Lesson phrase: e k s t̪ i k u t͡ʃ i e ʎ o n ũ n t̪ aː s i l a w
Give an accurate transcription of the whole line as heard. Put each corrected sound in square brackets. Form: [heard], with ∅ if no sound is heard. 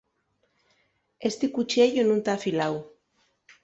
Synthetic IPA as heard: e [∅] s t̪ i k u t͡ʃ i e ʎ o n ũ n t̪ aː [f] i l a w

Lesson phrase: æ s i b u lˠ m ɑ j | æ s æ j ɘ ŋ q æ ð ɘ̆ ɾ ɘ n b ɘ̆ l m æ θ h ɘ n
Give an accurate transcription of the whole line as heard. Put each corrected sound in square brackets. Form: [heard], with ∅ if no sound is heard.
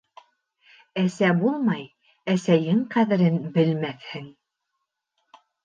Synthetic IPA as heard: æ s [æ] b u lˠ m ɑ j | æ s æ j ɘ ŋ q æ ð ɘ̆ ɾ ɘ n b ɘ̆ l m æ θ h ɘ [ŋ]

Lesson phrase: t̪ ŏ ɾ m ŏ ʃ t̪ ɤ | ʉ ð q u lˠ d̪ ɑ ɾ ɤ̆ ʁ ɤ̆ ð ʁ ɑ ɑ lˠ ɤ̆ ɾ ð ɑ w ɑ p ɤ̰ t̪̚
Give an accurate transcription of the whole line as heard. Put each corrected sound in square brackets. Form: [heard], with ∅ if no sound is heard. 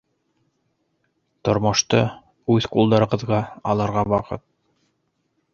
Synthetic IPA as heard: t̪ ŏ ɾ m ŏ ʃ t̪ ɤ | ʉ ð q u lˠ d̪ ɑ ɾ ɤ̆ ʁ ɤ̆ ð ʁ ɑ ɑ lˠ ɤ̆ ɾ [ʁ] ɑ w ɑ [q] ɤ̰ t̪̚

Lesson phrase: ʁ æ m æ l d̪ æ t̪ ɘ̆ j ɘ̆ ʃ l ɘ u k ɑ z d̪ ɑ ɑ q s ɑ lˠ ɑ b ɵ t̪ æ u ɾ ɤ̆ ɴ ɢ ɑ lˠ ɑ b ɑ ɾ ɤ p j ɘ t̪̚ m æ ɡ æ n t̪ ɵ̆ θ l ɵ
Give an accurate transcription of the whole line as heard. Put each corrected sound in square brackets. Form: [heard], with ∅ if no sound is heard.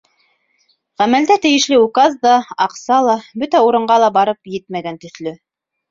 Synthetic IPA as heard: ʁ æ m æ l d̪ æ t̪ ɘ̆ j ɘ̆ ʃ l ɘ u k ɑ z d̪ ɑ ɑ q s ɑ lˠ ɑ b ɵ t̪ æ u ɾ ɤ̆ ɴ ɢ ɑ lˠ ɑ b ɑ ɾ ɤ p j ɘ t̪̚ m æ ɡ æ n t̪ ɵ̆ θ l ɵ

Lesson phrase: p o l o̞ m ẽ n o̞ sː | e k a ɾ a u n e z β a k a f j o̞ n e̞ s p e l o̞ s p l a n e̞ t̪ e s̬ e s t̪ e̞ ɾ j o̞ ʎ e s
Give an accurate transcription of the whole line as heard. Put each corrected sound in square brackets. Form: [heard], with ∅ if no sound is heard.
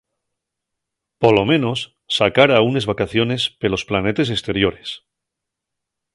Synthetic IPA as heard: p o l o̞ m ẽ n o̞ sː | [a] k a ɾ a u n e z β a k a [θ] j o̞ n e̞ s p e l o̞ s p l a n e̞ t̪ e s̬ e s t̪ e̞ ɾ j o̞ [ɾ] e s

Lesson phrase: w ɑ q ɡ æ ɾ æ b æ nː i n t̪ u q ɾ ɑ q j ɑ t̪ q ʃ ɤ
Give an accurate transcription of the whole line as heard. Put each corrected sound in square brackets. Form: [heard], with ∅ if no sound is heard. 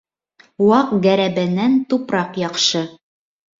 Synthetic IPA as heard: w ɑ q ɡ æ ɾ æ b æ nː [æ] n t̪ u [p] ɾ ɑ q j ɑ [∅] q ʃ ɤ

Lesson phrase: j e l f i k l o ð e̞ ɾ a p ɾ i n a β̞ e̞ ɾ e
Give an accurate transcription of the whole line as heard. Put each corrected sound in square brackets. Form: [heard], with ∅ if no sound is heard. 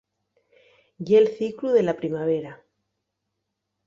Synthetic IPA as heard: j e l [θ] i k l [u] ð e̞ [l] a p ɾ i [m] a β̞ e̞ ɾ [a]

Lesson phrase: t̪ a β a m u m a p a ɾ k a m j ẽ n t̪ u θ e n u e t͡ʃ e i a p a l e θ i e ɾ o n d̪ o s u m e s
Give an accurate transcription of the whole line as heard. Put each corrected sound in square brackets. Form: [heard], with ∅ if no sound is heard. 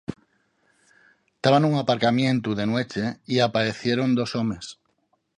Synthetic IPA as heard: t̪ a β a [n] u [ŋ] a p a ɾ k a m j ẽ n t̪ u [ð] e n [w] e t͡ʃ e i a p a [ɾ] e θ [j] e ɾ o n d̪ o s [o] m e s

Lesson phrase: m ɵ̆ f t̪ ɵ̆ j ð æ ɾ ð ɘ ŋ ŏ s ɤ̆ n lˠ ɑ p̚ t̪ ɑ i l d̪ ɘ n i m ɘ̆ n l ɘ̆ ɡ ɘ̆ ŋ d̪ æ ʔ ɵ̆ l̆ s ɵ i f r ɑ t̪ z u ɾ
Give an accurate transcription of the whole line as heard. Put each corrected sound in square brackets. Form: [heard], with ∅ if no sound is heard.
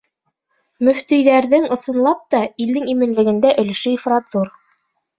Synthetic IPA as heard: m ɵ̆ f t̪ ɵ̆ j ð æ ɾ ð ɘ ŋ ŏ s ɤ̆ n lˠ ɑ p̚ t̪ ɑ i l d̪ ɘ [ŋ] i m ɘ̆ n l ɘ̆ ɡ ɘ̆ [n] d̪ æ ʔ ɵ̆ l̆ [ʃ] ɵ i f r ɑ t̪ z u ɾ

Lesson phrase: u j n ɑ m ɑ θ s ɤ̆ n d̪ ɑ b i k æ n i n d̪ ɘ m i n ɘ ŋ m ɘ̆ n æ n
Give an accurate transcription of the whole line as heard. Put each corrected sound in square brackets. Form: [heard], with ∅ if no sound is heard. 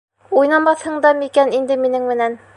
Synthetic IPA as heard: u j n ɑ m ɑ θ [h] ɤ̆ [ɴ] d̪ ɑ [m] i k æ n i n d̪ ɘ m i n ɘ ŋ m ɘ̆ n æ n

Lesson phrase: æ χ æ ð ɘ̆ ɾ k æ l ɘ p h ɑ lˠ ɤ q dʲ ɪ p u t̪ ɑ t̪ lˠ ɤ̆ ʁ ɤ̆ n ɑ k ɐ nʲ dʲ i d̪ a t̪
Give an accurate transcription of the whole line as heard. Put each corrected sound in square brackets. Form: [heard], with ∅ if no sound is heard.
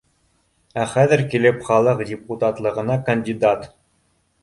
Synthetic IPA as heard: æ χ æ ð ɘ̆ ɾ k [i] l ɘ p [χ] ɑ lˠ ɤ q dʲ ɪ p u t̪ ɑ t̪ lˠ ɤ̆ ʁ ɤ̆ n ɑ k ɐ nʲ dʲ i d̪ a t̪

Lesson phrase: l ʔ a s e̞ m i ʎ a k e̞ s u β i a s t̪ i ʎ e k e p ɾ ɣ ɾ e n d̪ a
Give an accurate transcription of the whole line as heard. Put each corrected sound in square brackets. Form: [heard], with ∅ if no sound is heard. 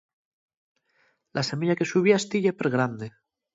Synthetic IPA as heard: l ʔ a s e̞ m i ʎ a k e̞ s u β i a s t̪ i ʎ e [p] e [∅] ɾ ɣ ɾ [a] n d̪ [e]

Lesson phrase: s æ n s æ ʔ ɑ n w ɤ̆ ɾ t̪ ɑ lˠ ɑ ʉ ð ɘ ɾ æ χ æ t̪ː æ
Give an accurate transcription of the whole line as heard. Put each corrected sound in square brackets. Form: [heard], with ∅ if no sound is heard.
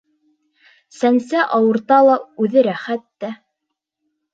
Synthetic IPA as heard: s æ n s æ ʔ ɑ [∅] w ɤ̆ ɾ t̪ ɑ lˠ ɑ ʉ ð ɘ ɾ æ χ æ t̪ː æ

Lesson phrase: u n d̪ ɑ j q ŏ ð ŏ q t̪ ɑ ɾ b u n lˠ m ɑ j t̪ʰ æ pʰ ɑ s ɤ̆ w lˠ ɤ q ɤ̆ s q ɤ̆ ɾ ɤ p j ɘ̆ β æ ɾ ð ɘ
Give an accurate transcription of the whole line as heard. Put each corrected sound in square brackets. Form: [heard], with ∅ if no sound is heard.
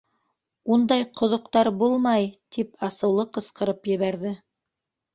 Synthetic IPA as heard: u n d̪ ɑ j q ŏ ð ŏ q t̪ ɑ ɾ b u [∅] lˠ m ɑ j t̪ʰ [i] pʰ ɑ s ɤ̆ w lˠ ɤ q ɤ̆ s q ɤ̆ ɾ ɤ p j ɘ̆ β æ ɾ ð ɘ

